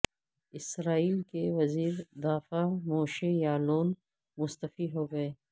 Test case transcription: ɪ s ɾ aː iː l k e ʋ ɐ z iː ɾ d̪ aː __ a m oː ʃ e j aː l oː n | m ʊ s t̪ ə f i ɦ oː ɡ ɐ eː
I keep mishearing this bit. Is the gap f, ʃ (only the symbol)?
f